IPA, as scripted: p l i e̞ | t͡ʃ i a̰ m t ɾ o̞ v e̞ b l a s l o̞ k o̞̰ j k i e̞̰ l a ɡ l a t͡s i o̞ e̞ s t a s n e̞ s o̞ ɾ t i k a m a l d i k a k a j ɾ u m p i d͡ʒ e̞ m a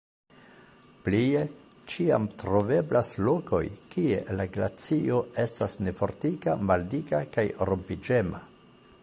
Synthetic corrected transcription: p l i e̞ | t͡ʃ i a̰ m t ɾ o̞ v e̞ b l a s l o̞ k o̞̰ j k i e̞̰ l a ɡ l a t͡s i o̞ e̞ s t a s n e̞ f o̞ ɾ t i k a m a l d i k a k a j ɾ o m p i d͡ʒ e̞ m a